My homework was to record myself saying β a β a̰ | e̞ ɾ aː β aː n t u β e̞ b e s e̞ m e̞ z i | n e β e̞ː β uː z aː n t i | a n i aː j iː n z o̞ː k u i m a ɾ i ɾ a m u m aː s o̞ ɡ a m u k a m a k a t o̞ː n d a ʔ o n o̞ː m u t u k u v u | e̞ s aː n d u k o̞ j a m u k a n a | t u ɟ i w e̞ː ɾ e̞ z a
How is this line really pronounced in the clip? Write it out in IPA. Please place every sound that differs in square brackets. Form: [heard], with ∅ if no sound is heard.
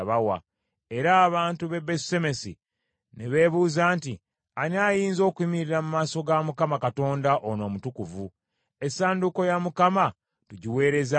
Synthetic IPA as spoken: β a [w] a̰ | e̞ ɾ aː β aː n t u β e̞ b e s e̞ m e̞ [s] i | n e β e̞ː β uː z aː n t i | a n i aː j iː n z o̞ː k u i m [i] ɾ i ɾ a m u m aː s o̞ ɡ a m u k a m a k a t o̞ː n d a ʔ o n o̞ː m u t u k u v u | e̞ s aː n d u k o̞ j a m u k a [m] a | t u ɟ i w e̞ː ɾ e̞ z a